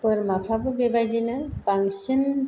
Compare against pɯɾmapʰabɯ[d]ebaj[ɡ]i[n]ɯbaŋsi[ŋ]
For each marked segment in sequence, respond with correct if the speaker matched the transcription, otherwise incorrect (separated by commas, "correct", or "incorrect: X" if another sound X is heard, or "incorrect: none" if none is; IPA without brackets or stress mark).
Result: incorrect: b, incorrect: d, correct, incorrect: n